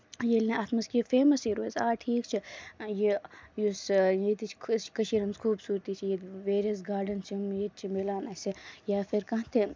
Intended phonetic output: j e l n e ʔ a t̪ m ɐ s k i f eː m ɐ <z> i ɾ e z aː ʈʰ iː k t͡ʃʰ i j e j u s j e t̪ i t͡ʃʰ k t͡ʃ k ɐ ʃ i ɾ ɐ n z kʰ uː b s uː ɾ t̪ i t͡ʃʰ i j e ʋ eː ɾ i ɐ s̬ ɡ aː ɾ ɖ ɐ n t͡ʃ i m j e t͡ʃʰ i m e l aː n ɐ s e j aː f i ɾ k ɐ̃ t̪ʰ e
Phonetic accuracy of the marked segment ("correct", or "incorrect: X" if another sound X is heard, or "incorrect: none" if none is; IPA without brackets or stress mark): incorrect: s